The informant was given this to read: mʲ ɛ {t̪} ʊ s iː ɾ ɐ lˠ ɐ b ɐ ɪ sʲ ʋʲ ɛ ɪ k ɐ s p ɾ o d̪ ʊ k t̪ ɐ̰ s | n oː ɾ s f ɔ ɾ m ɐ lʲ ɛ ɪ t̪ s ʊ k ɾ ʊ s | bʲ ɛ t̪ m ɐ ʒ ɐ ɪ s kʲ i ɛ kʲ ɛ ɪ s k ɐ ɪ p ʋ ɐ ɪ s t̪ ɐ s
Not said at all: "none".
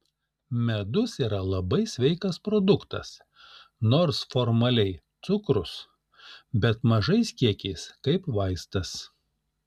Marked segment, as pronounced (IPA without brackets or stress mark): d̪